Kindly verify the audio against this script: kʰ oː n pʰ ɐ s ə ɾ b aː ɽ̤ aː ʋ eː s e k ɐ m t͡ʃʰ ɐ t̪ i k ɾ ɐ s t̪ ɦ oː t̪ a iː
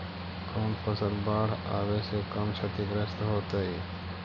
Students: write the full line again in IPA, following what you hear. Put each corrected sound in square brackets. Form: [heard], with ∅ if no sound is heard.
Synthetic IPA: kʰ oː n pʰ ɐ s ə [l] b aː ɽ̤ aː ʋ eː s e k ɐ m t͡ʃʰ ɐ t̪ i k ɾ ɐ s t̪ ɦ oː t̪ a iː